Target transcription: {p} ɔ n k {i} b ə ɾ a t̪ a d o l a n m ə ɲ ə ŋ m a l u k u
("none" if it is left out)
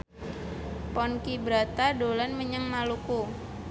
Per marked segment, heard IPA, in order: p, i

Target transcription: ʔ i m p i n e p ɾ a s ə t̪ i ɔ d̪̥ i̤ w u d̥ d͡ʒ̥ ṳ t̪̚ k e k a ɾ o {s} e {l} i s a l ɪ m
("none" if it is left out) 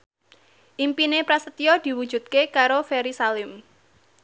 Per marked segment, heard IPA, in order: f, ɾ

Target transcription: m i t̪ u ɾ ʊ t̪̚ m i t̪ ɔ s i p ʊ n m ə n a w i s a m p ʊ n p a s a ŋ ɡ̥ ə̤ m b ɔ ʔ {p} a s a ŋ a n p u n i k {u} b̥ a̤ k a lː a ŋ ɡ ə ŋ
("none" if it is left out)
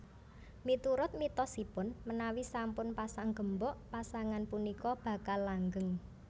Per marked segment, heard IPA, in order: p, ɔ

